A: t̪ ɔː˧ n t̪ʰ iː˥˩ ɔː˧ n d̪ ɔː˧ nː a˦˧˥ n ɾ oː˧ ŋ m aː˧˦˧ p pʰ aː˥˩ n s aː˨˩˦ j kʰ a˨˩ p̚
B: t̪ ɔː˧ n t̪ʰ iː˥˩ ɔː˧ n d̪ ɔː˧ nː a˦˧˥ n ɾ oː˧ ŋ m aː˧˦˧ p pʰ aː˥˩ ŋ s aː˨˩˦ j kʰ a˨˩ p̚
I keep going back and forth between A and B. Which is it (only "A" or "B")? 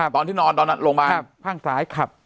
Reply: B